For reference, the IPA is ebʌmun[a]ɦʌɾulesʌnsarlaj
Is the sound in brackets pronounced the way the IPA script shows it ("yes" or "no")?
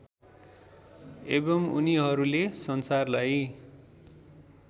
no